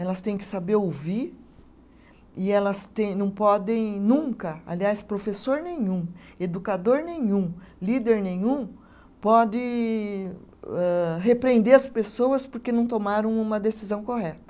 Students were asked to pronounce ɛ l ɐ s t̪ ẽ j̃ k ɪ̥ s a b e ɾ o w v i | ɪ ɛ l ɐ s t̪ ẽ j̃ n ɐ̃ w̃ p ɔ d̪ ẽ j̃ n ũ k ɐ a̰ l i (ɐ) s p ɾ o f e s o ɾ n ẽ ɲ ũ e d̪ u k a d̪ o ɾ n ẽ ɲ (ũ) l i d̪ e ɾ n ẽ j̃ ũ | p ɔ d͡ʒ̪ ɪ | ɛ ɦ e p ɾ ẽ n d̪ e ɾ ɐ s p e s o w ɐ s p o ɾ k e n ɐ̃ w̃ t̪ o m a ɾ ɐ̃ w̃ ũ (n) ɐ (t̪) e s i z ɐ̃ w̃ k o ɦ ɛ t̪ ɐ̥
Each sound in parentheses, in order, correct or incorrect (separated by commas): incorrect, correct, incorrect, incorrect